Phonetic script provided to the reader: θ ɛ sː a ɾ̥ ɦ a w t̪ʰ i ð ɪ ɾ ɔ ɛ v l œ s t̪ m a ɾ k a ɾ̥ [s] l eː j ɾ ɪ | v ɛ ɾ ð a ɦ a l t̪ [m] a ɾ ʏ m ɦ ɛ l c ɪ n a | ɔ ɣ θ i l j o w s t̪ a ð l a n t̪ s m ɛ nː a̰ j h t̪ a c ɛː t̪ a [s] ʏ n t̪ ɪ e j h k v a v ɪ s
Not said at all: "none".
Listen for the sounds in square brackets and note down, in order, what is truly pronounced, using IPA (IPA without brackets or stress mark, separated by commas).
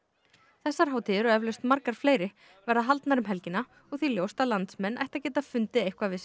f, n, f